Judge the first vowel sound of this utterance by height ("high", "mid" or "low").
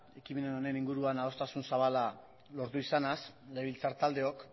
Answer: mid